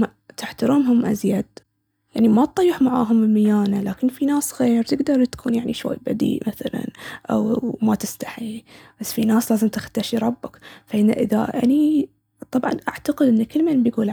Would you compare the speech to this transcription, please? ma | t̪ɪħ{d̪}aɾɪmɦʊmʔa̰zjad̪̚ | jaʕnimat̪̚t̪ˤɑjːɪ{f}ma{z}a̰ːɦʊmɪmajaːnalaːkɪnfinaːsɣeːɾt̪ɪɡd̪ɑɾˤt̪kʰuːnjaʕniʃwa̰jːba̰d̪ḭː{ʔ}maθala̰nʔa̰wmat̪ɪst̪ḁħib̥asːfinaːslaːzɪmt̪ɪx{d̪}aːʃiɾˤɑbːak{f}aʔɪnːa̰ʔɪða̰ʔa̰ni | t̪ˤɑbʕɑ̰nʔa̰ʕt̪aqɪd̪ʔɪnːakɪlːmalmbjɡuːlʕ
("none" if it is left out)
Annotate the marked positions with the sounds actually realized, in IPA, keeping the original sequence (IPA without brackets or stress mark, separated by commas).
t̪, ħ, ʕ, ʔ, t̪, f